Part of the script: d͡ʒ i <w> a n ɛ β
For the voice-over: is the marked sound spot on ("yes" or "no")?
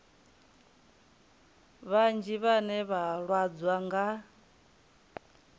no